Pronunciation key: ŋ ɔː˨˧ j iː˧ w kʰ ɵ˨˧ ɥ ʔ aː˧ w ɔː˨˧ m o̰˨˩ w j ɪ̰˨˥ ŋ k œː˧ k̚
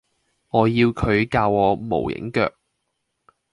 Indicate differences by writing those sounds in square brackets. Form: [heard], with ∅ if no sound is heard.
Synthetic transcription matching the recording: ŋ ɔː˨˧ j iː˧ w kʰ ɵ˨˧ ɥ [k] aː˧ w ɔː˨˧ m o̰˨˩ w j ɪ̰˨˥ ŋ k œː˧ k̚